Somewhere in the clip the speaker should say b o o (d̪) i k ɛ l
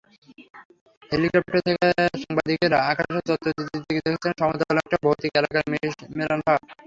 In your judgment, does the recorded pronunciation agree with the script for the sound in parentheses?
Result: no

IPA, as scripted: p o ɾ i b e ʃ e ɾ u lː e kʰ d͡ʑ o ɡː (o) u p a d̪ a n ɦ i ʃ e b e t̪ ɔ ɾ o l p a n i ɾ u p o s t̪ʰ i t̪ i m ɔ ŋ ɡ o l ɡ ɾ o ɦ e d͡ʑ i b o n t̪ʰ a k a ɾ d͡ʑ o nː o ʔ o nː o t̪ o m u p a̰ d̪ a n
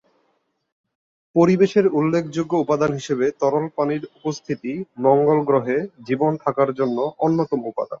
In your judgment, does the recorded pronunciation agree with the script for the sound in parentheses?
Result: yes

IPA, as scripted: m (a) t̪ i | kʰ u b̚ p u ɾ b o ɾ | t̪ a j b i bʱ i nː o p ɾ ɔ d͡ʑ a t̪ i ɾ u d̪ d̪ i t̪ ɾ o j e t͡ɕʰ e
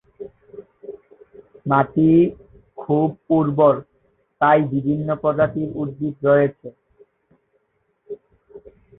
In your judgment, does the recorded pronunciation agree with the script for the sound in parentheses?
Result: yes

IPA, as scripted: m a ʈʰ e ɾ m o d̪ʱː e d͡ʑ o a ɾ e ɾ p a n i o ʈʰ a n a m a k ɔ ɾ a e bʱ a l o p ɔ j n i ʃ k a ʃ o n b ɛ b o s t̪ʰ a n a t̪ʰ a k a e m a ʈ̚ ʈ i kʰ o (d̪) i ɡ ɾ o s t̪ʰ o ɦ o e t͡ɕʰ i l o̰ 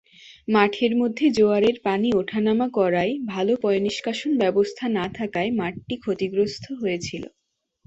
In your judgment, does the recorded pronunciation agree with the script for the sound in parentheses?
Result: no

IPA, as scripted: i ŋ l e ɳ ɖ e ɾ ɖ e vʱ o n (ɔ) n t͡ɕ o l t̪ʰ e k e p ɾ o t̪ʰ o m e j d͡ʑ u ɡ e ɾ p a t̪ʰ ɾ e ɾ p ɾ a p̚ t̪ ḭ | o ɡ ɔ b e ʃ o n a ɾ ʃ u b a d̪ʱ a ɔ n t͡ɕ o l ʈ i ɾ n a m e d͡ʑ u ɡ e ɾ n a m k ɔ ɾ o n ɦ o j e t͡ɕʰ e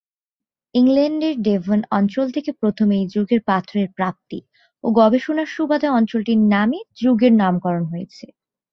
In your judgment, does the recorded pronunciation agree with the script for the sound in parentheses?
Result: yes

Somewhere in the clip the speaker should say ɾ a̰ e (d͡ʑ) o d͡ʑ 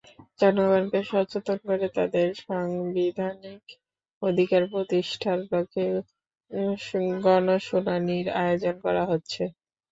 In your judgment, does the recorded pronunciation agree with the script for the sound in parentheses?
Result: no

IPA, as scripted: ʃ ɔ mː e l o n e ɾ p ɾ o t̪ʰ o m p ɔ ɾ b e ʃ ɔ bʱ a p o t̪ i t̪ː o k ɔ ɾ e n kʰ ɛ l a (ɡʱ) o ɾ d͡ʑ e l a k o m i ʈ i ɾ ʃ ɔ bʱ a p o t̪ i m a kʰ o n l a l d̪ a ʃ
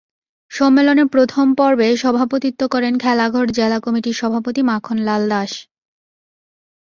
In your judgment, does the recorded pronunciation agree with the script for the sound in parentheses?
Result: yes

